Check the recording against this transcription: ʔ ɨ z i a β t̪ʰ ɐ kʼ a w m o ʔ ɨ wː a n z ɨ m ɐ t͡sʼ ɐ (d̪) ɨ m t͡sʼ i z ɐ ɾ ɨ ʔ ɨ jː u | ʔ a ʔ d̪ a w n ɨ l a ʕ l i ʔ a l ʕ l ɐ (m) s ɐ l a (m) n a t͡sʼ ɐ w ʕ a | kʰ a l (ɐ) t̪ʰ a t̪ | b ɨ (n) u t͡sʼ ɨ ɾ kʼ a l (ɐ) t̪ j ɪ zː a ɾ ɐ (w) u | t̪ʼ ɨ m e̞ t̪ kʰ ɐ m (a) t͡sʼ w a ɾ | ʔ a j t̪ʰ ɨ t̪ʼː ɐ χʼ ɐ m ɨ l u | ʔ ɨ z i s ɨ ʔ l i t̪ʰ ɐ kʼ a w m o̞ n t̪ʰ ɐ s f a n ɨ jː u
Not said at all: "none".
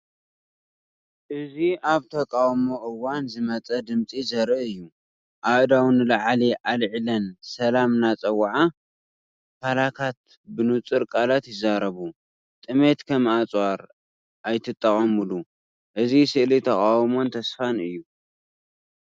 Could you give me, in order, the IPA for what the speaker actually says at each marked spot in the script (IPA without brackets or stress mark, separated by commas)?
d̪, n, m, a, n, a, β, a